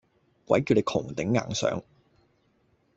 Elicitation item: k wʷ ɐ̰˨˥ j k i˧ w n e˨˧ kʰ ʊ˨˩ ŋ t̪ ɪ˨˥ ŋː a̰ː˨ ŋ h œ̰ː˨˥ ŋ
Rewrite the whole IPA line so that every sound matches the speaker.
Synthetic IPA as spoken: k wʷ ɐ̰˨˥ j k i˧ w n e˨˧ kʰ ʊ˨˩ ŋ t̪ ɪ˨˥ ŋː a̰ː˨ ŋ s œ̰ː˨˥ ŋ